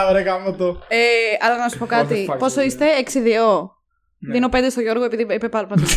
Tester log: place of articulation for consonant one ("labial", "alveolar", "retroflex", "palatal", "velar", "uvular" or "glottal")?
alveolar